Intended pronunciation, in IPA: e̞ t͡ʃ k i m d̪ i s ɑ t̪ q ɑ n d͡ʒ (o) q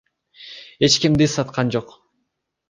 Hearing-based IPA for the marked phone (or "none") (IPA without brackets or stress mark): o